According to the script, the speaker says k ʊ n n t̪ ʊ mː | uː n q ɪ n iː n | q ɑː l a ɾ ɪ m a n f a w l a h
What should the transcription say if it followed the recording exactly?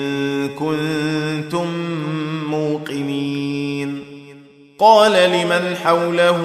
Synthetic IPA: k ʊ n n t̪ ʊ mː | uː q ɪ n iː n | q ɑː l a l ɪ m a n ħ a w l a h